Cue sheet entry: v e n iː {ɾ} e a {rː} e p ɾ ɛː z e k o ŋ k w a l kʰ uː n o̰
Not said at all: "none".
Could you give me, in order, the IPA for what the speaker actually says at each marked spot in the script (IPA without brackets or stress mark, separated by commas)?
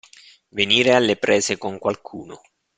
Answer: ɾ, lː